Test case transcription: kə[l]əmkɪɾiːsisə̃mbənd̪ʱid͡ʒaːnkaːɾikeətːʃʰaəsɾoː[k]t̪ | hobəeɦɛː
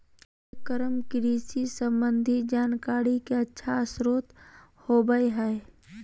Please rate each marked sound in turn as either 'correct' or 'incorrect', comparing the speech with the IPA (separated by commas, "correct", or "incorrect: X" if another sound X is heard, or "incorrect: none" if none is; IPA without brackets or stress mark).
incorrect: ɾ, incorrect: none